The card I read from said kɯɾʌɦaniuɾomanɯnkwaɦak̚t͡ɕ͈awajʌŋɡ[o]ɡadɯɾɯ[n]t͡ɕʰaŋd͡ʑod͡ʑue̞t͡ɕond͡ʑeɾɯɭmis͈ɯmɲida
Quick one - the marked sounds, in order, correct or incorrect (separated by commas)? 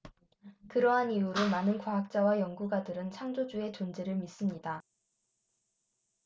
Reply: incorrect, correct